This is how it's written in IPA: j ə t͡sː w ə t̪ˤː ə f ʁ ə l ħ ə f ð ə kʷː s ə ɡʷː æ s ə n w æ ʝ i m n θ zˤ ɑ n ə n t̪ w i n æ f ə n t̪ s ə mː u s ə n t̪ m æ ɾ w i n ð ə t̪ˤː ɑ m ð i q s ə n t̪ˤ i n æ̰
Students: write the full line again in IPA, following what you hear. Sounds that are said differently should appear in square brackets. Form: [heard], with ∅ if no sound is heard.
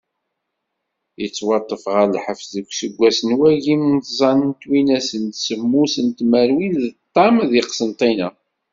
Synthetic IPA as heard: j ə t͡sː w [ɑ] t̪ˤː ə f ʁ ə l ħ ə f ð ə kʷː s ə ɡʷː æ s ə n w æ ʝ i m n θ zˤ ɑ n ə n t̪ w i n æ [s] ə n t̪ s ə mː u s ə n t̪ m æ ɾ w i n ð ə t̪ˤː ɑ m ð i q s ə n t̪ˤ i n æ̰